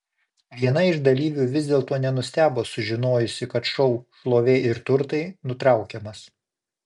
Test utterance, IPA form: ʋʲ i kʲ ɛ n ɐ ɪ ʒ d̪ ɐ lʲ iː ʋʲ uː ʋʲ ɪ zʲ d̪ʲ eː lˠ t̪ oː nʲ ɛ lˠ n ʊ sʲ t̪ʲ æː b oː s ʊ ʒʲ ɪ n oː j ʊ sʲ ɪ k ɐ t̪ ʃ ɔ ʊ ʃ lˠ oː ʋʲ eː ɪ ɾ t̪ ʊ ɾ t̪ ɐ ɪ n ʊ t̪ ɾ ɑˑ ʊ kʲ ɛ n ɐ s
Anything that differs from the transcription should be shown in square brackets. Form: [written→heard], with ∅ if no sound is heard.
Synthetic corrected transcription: ʋʲ i [kʲ→∅] ɛ n ɐ ɪ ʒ d̪ ɐ lʲ iː ʋʲ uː ʋʲ ɪ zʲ d̪ʲ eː lˠ t̪ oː nʲ ɛ [lˠ→∅] n ʊ sʲ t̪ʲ æː b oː s ʊ ʒʲ ɪ n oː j ʊ sʲ ɪ k ɐ t̪ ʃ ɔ ʊ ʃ lˠ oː ʋʲ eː ɪ ɾ t̪ ʊ ɾ t̪ ɐ ɪ n ʊ t̪ ɾ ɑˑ ʊ kʲ ɛ [n→m] ɐ s